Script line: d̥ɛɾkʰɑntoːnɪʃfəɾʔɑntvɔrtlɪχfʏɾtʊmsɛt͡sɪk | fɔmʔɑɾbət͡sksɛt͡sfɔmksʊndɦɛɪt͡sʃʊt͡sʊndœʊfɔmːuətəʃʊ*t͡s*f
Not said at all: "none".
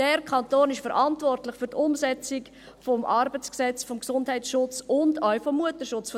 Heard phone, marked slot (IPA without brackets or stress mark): t͡s